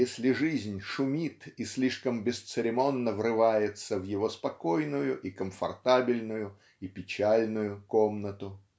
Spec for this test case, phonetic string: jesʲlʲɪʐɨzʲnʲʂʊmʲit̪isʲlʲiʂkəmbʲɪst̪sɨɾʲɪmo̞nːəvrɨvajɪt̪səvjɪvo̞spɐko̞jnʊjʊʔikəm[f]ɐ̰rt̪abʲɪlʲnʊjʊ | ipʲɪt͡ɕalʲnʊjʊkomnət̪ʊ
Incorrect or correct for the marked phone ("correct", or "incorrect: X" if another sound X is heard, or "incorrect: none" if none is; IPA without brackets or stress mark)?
correct